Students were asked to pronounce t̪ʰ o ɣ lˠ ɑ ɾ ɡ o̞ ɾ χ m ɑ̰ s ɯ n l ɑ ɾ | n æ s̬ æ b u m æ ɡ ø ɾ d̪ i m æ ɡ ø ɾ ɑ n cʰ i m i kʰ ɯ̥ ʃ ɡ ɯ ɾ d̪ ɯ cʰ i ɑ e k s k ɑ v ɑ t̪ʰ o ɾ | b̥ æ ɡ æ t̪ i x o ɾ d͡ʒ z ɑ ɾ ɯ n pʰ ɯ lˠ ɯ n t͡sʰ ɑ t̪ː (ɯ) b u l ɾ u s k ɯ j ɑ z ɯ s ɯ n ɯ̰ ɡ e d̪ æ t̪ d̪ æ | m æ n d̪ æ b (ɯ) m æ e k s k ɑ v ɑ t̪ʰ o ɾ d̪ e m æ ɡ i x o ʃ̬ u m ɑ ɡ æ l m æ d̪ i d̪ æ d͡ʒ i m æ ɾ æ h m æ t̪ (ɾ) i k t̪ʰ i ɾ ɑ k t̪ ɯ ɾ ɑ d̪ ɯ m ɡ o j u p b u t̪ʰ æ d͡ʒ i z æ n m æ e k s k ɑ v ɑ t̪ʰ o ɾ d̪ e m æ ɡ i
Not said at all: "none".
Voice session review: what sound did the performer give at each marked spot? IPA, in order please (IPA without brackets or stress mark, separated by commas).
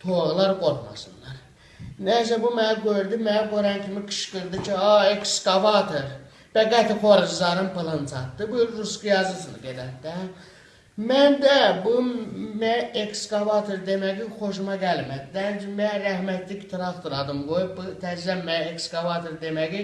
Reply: ɯ, u, l